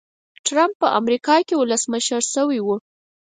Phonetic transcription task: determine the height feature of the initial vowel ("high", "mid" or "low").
low